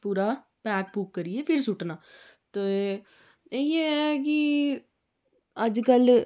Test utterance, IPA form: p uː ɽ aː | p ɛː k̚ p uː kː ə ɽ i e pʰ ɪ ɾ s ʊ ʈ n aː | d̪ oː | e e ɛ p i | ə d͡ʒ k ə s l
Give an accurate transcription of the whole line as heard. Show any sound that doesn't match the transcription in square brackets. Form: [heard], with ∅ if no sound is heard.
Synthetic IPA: p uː [ɾ] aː | p ɛː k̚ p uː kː ə [ɾ] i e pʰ ɪ ɾ s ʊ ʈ n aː | [t̪] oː | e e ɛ [k] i | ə d͡ʒ k ə [∅] l